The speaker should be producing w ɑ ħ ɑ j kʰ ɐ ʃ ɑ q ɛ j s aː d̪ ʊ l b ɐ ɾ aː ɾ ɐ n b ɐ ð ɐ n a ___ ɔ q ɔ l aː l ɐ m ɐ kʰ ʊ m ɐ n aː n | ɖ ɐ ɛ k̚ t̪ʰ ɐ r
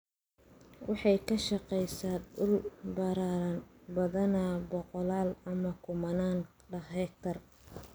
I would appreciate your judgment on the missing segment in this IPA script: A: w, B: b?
B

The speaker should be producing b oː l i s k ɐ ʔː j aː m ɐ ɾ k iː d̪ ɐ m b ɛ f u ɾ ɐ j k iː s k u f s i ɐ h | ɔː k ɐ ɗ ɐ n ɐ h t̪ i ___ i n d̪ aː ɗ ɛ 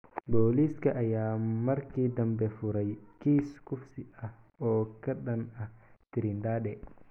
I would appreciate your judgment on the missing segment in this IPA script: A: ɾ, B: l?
A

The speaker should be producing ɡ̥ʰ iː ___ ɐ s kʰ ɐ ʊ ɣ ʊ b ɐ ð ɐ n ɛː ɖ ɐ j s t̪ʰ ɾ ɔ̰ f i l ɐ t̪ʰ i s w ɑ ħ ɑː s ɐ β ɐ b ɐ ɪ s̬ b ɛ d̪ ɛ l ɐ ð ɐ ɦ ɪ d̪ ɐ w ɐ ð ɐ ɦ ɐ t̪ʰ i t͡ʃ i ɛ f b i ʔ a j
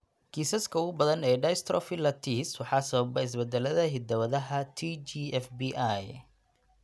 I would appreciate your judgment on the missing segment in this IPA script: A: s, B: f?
A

